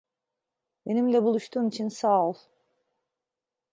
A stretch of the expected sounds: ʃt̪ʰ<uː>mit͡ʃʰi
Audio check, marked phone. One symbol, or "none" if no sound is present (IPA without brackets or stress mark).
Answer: uː